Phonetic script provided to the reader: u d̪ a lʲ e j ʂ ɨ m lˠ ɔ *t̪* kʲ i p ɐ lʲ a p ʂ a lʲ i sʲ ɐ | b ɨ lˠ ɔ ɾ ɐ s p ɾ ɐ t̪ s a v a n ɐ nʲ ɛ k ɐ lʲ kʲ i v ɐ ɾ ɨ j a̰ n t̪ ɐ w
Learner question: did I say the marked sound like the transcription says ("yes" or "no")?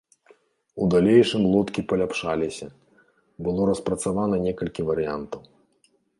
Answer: yes